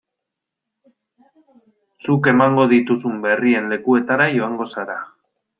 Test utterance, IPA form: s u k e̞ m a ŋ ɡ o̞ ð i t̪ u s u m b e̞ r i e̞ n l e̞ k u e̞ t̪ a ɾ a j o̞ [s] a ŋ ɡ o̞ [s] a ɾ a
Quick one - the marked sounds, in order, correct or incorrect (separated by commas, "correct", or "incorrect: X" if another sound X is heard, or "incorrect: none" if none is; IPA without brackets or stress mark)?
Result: incorrect: none, correct